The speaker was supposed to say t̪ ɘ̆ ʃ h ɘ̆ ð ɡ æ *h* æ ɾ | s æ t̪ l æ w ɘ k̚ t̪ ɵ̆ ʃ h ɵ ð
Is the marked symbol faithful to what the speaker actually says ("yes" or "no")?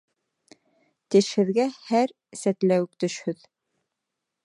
yes